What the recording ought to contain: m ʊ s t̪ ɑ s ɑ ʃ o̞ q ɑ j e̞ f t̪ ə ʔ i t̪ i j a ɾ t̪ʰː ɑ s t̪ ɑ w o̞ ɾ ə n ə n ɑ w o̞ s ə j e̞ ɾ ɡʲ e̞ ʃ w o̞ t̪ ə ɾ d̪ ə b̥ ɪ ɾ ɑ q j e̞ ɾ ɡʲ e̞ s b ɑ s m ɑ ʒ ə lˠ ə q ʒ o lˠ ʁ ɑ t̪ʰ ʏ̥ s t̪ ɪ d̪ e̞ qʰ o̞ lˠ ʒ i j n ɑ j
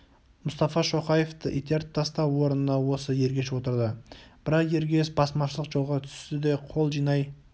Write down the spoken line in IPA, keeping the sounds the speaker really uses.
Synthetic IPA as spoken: m ʊ s t̪ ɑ f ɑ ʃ o̞ q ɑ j e̞ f t̪ ə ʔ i t̪ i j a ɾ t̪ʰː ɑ s t̪ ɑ w o̞ ɾ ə n ə n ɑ w o̞ s ə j e̞ ɾ ɡʲ e̞ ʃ w o̞ t̪ ə ɾ d̪ ə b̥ ɪ ɾ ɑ q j e̞ ɾ ɡʲ e̞ s b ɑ s m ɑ ʃ ə lˠ ə q ʒ o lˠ ʁ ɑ t̪ʰ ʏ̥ s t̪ ɪ d̪ e̞ qʰ o̞ lˠ ʒ i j n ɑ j

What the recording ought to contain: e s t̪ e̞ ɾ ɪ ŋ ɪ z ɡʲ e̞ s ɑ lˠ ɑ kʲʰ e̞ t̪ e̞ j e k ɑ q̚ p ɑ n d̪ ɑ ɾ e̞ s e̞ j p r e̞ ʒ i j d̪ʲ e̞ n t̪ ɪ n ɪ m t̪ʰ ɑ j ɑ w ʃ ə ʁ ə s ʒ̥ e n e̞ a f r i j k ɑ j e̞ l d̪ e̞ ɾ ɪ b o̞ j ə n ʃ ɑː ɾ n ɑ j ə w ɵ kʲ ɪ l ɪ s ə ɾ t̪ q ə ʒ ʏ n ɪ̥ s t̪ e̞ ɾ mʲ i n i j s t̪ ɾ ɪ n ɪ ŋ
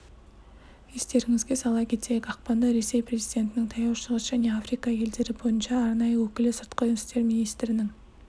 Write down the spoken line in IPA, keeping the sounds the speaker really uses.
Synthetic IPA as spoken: e s t̪ e̞ ɾ ɪ ŋ ɪ z ɡʲ e̞ s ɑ lˠ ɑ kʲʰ e̞ t̪ e̞ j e k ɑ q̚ p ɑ n d̪ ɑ ɾ e̞ s e̞ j p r e̞ z i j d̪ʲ e̞ n t̪ ɪ n ɪ ŋ t̪ʰ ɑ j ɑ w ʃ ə ʁ ə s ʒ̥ æ n e̞ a f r i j k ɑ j e̞ l d̪ e̞ ɾ ɪ b o̞ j ə n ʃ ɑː ɾ n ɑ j ə w ɵ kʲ ɪ l ɪ s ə ɾ t̪ q ə ʒ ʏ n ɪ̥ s t̪ e̞ ɾ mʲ i n i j s t̪ ɾ ɪ n ɪ ŋ

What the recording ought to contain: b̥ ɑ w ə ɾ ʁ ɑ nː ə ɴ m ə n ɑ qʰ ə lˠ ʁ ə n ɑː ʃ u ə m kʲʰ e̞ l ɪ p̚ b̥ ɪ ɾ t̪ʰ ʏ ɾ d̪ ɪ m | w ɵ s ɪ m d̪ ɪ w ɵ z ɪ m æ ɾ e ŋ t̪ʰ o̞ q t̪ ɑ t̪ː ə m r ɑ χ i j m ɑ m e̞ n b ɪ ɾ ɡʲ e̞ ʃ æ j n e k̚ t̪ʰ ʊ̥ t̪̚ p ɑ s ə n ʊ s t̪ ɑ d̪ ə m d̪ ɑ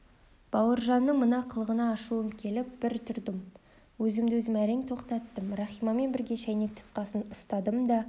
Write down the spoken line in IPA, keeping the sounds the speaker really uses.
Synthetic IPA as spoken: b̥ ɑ w ə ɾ ʒ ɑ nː ə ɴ m ə n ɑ qʰ ə lˠ ʁ ə n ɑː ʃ u ə m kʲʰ e̞ l ɪ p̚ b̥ ɪ ɾ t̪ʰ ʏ ɾ d̪ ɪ m | w ɵ z ɪ m d̪ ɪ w ɵ z ɪ m æ ɾ e ŋ t̪ʰ o̞ q t̪ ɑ t̪ː ə m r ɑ χ i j m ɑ m e̞ n b ɪ ɾ ɡʲ e̞ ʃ æ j n e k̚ t̪ʰ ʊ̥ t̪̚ q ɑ s ə n ʊ s t̪ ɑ d̪ ə m d̪ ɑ

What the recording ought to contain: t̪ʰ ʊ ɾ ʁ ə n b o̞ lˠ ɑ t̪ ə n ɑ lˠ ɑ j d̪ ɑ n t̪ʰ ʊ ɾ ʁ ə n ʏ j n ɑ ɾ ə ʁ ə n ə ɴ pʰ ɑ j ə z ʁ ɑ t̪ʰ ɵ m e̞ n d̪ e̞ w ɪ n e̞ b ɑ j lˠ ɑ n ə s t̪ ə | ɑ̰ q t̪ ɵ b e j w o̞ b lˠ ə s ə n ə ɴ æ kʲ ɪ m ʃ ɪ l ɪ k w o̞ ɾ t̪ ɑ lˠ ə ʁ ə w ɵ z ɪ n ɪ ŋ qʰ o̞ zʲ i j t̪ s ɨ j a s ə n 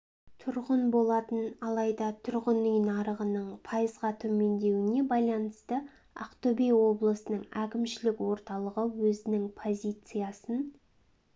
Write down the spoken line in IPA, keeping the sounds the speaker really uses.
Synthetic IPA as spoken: t̪ʰ ʊ ɾ ʁ ə n b o̞ lˠ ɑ t̪ ə n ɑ lˠ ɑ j d̪ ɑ t̪ʰ ʊ ɾ ʁ ə n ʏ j n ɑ ɾ ə ʁ ə n ə ɴ pʰ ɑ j ə z ʁ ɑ t̪ʰ ɵ m e̞ n d̪ e̞ w ɪ n e̞ b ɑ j lˠ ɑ n ə s t̪ ə | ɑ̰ q t̪ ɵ b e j w o̞ b lˠ ə s ə n ə ɴ æ kʲ ɪ m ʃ ɪ l ɪ k w o̞ ɾ t̪ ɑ lˠ ə ʁ ə w ɵ z ɪ n ɪ ŋ pʰ o̞ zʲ i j t̪ s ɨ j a s ə n

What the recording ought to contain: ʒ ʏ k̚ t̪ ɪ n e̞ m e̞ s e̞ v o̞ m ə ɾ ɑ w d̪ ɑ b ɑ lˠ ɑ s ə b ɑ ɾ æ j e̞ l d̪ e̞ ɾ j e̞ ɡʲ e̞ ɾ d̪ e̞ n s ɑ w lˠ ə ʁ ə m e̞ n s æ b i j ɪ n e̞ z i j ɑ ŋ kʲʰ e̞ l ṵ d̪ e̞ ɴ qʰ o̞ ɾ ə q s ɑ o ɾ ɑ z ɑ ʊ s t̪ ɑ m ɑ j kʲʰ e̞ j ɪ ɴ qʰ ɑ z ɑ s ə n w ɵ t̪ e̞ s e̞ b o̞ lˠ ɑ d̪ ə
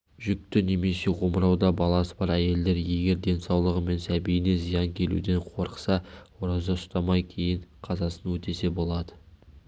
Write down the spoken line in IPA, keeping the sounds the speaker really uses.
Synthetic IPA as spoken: ʒ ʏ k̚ t̪ ɪ n e̞ m e̞ s e̞ ʁ o̞ m ə ɾ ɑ w d̪ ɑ b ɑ lˠ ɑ s ə b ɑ ɾ æ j e̞ l d̪ e̞ ɾ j e̞ ɡʲ e̞ ɾ d̪ e̞ n s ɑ w lˠ ə ʁ ə m e̞ n s æ b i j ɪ n e̞ z i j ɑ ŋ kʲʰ e̞ l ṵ d̪ e̞ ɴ qʰ o̞ ɾ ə q s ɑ o ɾ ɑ z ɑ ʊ s t̪ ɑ m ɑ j kʲʰ e̞ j ɪ ɴ qʰ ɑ z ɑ s ə n w ɵ t̪ e̞ s e̞ b o̞ lˠ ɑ d̪ ə

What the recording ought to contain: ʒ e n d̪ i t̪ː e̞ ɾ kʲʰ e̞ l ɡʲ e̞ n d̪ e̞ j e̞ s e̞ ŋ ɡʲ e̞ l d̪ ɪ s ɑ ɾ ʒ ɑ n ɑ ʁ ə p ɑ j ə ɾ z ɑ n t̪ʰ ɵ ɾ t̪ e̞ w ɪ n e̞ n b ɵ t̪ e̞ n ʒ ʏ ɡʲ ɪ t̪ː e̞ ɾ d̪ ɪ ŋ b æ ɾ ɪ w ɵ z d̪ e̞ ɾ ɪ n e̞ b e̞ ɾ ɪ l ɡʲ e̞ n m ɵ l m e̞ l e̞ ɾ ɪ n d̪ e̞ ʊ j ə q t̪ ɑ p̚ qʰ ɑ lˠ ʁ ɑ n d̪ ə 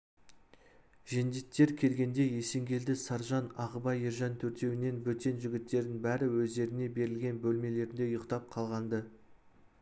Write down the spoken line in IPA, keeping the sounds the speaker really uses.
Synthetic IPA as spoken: ʒ e n d̪ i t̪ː e̞ ɾ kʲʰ e̞ l ɡʲ e̞ n d̪ e̞ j e̞ s e̞ ŋ ɡʲ e̞ l d̪ ɪ s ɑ ɾ ʒ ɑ n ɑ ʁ ə b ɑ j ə ɾ ʒ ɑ n t̪ʰ ɵ ɾ t̪ e̞ w ɪ n e̞ n b ɵ t̪ e̞ n ʒ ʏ ɡʲ ɪ t̪ː e̞ ɾ d̪ ɪ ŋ b æ ɾ ɪ w ɵ z d̪ e̞ ɾ ɪ n e̞ b e̞ ɾ ɪ l ɡʲ e̞ n b ɵ l m e̞ l e̞ ɾ ɪ n d̪ e̞ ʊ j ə q t̪ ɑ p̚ qʰ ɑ lˠ ʁ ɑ n d̪ ə

